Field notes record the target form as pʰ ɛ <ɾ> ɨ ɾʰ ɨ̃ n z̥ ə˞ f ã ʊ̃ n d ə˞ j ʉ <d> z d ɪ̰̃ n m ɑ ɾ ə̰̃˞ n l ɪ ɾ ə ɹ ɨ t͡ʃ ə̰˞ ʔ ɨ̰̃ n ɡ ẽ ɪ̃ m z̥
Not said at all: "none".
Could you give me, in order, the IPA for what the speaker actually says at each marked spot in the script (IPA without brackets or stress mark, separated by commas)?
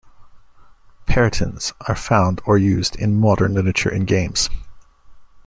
ɹ, none